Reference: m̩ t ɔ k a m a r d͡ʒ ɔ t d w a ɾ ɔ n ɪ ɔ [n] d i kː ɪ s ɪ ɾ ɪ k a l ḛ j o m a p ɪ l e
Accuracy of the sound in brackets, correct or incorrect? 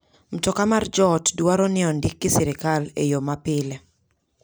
correct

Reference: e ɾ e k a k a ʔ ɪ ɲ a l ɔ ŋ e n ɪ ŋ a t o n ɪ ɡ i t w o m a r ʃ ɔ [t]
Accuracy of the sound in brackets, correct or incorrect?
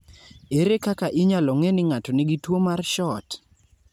correct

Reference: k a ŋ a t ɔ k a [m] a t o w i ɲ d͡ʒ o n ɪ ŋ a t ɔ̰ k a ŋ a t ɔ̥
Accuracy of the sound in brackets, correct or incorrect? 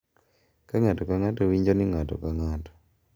incorrect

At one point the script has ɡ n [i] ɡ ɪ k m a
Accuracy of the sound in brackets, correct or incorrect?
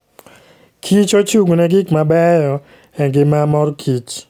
incorrect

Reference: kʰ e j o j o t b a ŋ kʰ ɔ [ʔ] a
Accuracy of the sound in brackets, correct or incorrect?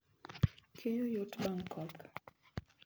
incorrect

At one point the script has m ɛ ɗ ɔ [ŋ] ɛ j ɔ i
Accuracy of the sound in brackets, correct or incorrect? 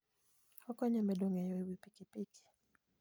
correct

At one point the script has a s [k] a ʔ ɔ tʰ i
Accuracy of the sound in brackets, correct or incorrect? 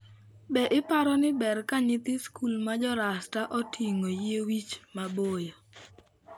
incorrect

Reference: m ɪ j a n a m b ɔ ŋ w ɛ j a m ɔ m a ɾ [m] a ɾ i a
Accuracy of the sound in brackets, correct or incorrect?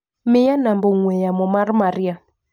correct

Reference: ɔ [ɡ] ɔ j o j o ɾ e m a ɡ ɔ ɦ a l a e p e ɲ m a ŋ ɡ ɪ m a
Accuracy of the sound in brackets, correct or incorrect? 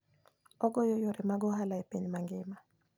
correct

